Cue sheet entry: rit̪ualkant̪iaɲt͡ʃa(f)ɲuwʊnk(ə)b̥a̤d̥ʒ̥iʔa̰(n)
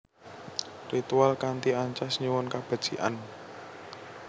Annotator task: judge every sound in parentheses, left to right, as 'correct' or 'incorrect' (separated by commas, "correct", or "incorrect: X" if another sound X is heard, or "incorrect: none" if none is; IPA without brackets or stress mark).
incorrect: s, incorrect: a, correct